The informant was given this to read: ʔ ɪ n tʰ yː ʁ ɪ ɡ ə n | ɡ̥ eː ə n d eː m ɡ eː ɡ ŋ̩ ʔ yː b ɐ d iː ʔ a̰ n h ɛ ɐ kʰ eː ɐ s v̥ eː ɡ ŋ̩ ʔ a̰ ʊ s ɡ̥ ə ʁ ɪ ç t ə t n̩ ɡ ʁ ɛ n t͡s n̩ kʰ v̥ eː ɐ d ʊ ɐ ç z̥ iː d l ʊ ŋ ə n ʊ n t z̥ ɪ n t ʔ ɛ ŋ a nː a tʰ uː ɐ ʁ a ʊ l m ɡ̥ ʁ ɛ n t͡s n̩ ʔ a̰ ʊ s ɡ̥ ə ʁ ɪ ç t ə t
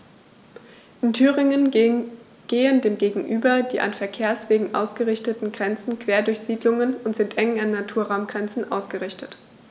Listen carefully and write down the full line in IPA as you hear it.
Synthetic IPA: ʔ ɪ n tʰ yː ʁ ɪ ŋ ə n | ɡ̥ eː ə n d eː m ɡ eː ɡ ŋ̩ ʔ yː b ɐ d iː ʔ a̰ n f ɛ ɐ kʰ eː ɐ s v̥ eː ɡ ŋ̩ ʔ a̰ ʊ s ɡ̥ ə ʁ ɪ ç t ə t n̩ ɡ ʁ ɛ n t͡s n̩ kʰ v̥ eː ɐ d ʊ ɐ ç z̥ iː d l ʊ ŋ ə n ʊ n t z̥ ɪ n t ʔ ɛ ŋ a nː a tʰ uː ɐ ʁ a ʊ m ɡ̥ ʁ ɛ n t͡s n̩ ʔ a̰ ʊ s ɡ̥ ə ʁ ɪ ç t ə t

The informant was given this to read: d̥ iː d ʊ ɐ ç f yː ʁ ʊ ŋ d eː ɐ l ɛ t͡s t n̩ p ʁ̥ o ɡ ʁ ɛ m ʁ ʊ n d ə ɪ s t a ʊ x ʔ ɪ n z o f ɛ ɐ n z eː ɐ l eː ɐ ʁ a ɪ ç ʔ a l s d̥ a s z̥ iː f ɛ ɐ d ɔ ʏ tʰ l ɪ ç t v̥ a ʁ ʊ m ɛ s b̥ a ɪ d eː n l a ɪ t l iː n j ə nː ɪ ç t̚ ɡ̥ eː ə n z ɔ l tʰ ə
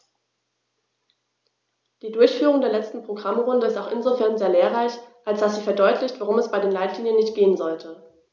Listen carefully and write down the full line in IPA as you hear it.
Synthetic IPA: d̥ iː d ʊ ɐ ç f yː ʁ ʊ ŋ d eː ɐ l ɛ t͡s t n̩ p ʁ̥ o ɡ ʁ a m ʁ ʊ n d ə ɪ s t a ʊ x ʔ ɪ n z o f ɛ ɐ n z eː ɐ l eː ɐ ʁ a ɪ ç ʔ a l s d̥ a s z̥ iː f ɛ ɐ d ɔ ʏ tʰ l ɪ ç t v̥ a ʁ ʊ m ɛ s b̥ a ɪ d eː n l a ɪ t l iː n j ə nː ɪ ç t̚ ɡ̥ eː ə n z ɔ l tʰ ə

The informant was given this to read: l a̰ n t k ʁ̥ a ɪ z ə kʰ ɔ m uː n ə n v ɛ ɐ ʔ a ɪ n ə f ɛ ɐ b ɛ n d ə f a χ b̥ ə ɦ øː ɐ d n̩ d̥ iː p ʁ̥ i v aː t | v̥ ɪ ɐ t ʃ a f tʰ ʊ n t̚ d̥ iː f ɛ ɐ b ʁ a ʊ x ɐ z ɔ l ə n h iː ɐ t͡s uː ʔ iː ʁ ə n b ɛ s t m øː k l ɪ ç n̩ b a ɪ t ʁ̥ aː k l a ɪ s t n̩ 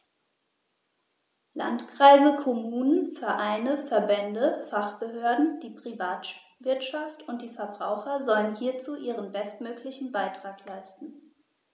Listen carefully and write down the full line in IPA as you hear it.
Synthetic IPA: l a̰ n t k ʁ̥ a ɪ z ə kʰ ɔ m uː n ə n f ɛ ɐ ʔ a ɪ n ə f ɛ ɐ b ɛ n d ə f a χ b̥ ə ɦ øː ɐ d n̩ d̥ iː p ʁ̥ i v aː t | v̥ ɪ ɐ t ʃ a f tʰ ʊ n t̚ d̥ iː f ɛ ɐ b ʁ a ʊ x ɐ z ɔ l ə n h iː ɐ t͡s uː ʔ iː ʁ ə n b ɛ s t m øː k l ɪ ç n̩ b a ɪ t ʁ̥ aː k l a ɪ s t n̩

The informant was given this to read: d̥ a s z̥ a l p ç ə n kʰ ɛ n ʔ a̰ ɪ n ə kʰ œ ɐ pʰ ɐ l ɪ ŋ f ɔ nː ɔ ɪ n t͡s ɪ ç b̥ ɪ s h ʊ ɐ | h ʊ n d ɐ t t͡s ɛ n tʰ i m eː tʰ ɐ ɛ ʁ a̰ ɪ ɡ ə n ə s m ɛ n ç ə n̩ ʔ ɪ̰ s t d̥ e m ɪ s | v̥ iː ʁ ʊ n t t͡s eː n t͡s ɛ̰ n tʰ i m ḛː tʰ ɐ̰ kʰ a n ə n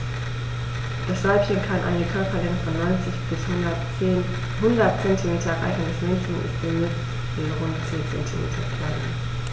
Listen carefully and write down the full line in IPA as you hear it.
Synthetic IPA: d̥ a s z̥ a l p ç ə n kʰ a n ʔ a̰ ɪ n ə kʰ œ ɐ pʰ ɐ l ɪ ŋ f ɔ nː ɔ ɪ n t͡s ɪ ç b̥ ɪ s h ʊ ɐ | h ʊ n d ɐ t t͡s ɛ n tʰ i m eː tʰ ɐ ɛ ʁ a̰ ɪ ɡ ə n ə s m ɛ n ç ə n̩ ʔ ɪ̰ s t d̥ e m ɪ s | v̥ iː ʁ ʊ n t t͡s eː n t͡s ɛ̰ n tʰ i m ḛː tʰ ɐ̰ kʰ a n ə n

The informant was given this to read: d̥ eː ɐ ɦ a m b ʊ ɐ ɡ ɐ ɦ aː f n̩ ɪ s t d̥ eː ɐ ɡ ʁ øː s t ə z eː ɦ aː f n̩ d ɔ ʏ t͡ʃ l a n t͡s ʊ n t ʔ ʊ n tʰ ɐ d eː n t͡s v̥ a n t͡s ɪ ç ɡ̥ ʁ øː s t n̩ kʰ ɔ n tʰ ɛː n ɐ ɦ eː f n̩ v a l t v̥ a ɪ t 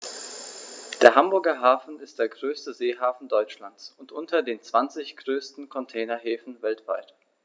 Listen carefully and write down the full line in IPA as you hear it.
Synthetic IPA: d̥ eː ɐ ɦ a m b ʊ ɐ ɡ ɐ ɦ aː f n̩ ɪ s t d̥ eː ɐ ɡ ʁ øː s t ə z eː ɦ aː f n̩ d ɔ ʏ t͡ʃ l a n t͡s ʊ n t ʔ ʊ n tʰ ɐ d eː n t͡s v̥ a n t͡s ɪ ç ɡ̥ ʁ øː s t n̩ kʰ ɔ n tʰ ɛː n ɐ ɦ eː f n̩ v ɛ l t v̥ a ɪ t

